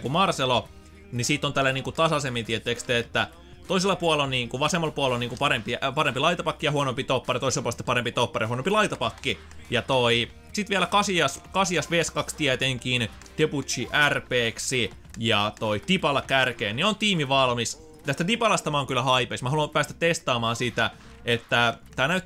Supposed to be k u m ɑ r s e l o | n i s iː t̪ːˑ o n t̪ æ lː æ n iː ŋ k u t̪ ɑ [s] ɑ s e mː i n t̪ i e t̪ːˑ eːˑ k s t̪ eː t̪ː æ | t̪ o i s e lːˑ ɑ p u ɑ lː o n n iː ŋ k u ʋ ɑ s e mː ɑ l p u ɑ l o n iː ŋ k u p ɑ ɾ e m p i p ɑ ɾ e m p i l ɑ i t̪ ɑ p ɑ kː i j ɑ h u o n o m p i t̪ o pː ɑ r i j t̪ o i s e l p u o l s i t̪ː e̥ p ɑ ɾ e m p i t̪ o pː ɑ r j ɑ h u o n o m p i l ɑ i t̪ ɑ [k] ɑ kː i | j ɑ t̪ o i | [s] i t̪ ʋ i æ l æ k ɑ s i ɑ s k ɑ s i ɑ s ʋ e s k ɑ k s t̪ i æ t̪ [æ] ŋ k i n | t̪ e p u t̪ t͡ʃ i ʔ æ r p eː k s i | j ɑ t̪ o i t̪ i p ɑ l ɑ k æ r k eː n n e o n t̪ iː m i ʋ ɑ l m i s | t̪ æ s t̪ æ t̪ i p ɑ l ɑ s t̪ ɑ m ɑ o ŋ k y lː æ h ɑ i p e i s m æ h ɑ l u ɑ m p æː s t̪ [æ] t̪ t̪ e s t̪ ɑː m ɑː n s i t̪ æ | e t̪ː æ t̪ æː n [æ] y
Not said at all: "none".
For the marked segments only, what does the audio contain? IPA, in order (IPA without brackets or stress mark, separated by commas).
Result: s, p, s, e, æ, æ